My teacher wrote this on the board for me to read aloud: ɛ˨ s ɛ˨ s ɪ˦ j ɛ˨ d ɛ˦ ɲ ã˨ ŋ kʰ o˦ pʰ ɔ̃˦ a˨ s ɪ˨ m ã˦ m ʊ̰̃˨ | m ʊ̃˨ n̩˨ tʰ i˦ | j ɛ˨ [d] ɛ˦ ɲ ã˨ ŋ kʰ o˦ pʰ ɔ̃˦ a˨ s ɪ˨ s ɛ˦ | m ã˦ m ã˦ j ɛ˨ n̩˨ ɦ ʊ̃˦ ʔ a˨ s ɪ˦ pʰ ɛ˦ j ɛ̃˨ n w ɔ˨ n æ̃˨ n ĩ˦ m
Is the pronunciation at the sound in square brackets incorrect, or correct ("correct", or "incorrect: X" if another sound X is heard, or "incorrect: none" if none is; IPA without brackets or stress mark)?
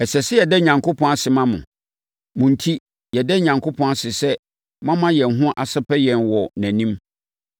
correct